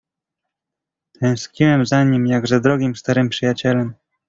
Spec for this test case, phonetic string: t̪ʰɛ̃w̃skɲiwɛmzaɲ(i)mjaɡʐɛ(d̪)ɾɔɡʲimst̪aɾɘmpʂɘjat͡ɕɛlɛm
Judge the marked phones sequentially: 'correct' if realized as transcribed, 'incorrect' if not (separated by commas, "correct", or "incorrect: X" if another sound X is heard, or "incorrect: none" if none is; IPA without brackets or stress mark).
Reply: correct, correct